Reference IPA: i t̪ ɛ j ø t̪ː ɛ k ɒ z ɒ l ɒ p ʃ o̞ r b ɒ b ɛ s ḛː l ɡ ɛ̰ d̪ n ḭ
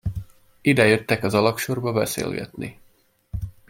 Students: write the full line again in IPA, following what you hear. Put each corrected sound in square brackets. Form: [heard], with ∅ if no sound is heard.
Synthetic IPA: i [d̪] ɛ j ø t̪ː ɛ k ɒ z ɒ l ɒ [k] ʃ o̞ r b ɒ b ɛ s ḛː l ɡ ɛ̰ [t̪] n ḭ